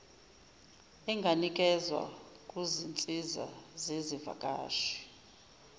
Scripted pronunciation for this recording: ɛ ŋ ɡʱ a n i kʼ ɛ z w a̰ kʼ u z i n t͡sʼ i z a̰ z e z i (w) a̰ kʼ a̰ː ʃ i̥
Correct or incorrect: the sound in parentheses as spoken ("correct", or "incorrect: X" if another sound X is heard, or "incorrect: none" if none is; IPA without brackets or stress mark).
incorrect: v